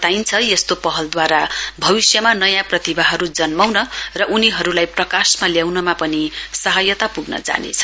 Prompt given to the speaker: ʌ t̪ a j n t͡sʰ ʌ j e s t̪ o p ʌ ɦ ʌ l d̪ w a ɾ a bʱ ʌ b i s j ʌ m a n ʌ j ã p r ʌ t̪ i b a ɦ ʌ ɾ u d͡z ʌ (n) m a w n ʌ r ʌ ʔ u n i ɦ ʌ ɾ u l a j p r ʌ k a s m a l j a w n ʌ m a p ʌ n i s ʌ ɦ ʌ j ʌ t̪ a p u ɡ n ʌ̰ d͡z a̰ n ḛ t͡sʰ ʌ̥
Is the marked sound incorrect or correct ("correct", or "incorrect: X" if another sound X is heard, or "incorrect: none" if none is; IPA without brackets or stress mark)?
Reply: correct